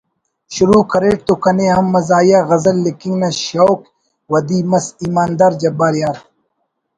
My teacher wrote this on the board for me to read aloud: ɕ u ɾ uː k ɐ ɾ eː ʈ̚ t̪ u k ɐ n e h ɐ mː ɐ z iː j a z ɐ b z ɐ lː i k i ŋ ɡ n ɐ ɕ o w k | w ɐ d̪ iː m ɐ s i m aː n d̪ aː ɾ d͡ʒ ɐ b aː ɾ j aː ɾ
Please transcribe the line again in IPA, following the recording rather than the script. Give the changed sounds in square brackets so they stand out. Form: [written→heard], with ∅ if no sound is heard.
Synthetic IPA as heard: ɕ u ɾ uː k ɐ ɾ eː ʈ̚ t̪ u k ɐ n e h ɐ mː ɐ z [iː→aː] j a [z→ɣ] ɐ [b→∅] z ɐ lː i k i ŋ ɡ n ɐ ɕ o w k | w ɐ d̪ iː m ɐ s i m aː n d̪ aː ɾ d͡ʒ ɐ b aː ɾ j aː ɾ